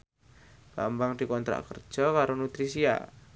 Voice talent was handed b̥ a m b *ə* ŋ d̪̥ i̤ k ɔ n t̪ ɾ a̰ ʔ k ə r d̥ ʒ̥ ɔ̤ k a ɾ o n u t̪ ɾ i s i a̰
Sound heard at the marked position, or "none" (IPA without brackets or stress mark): a